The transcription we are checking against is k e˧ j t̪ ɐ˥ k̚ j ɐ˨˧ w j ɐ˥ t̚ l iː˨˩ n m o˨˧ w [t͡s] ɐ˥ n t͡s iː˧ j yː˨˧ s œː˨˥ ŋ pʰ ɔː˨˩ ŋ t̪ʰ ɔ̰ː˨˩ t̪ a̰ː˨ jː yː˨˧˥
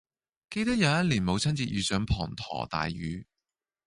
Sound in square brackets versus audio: incorrect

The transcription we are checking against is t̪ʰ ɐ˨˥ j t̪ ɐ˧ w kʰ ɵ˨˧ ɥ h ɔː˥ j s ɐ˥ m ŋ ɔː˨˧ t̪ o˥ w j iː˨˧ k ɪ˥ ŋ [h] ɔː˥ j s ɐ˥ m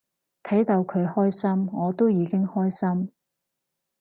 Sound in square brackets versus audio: correct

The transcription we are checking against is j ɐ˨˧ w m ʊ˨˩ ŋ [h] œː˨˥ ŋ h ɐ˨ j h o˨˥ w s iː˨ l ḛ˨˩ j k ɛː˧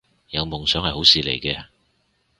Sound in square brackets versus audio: incorrect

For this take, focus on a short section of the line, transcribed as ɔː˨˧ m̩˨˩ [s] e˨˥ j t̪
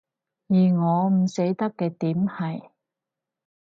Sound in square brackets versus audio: correct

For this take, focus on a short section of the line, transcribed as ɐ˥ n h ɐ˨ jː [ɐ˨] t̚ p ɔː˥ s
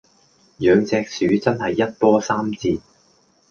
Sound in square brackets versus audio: incorrect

